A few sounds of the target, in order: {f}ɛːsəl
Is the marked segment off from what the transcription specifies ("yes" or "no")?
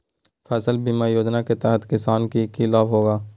no